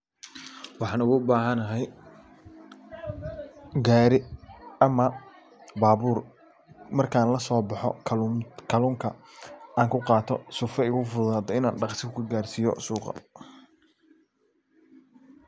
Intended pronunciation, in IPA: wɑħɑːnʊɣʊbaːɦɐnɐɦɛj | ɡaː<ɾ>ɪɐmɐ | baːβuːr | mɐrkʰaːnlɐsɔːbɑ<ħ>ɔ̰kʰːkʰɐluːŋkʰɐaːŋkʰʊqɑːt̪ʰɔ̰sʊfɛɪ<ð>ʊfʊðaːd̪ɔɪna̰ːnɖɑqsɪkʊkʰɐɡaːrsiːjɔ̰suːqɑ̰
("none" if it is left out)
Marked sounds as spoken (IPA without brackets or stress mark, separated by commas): ɾ, ħ, ɣ